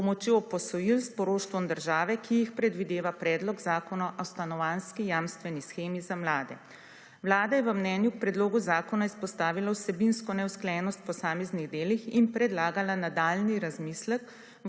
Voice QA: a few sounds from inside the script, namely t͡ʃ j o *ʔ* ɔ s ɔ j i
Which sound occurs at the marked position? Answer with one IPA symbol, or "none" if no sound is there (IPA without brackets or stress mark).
p